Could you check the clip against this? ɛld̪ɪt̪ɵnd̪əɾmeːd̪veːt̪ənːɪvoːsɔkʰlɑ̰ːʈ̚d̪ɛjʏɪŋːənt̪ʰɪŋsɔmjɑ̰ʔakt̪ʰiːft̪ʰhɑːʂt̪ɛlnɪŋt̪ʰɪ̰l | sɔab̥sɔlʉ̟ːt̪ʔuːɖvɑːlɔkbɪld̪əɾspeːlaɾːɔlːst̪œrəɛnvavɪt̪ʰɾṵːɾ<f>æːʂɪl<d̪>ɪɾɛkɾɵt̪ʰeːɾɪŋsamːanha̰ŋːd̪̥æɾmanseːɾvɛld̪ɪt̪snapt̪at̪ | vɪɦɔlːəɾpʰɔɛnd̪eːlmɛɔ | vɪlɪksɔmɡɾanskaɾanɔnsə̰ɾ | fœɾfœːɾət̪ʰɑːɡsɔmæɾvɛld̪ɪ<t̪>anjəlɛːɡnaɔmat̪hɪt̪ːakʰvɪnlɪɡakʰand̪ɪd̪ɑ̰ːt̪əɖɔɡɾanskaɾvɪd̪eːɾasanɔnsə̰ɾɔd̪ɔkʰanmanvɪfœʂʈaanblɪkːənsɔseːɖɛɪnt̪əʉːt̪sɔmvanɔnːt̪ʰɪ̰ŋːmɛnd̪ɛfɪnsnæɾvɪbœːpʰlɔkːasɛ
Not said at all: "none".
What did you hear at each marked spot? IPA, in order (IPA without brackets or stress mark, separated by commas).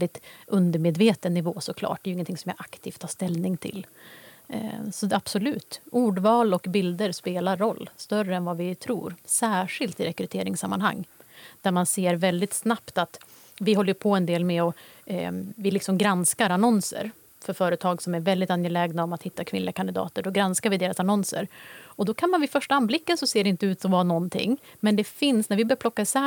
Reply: s, t̪, t̪